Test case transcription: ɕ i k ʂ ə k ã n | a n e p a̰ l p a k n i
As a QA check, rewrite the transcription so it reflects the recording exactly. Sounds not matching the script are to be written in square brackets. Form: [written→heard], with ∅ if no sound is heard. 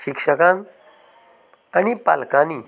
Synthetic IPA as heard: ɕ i k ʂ ə k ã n | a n [e→i] p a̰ l [p→k] a [k→∅] n i